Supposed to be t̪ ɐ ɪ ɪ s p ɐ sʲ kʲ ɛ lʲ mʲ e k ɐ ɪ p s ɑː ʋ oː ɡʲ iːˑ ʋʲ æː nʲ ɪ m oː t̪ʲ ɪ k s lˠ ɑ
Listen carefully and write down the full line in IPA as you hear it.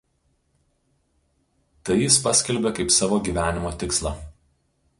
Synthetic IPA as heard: t̪ ɐ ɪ ɪ s p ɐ sʲ kʲ ɛ lʲ bʲ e k ɐ ɪ p s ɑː ʋ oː ɡʲ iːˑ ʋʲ æː nʲ ɪ m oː t̪ʲ ɪ k s lˠ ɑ